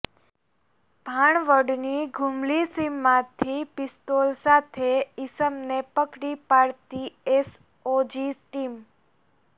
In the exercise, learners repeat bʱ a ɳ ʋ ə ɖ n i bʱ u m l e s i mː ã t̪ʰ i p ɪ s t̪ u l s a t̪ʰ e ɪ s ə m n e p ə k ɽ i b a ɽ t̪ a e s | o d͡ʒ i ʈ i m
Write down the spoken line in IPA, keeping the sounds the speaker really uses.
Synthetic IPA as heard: bʱ a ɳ ʋ ə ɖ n i ɡʱ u m l i s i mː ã t̪ʰ i p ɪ s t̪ o l s a t̪ʰ e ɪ s ə m n e p ə k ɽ i p a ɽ t̪ i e s | o d͡ʒ i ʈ i m